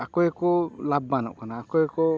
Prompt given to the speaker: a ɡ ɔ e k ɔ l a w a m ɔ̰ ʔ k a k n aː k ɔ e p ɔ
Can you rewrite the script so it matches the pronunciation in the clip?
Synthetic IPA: a k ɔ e k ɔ l a b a n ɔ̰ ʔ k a n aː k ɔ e k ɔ